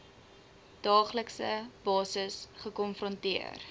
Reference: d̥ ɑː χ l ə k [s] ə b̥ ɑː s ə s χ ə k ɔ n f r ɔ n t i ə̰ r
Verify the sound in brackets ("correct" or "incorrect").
correct